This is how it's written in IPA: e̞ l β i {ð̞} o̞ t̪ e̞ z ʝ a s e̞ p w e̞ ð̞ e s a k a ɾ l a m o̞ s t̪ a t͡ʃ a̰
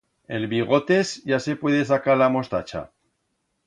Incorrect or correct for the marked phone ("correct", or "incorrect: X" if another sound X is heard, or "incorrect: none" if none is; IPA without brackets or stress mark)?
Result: incorrect: ɣ̞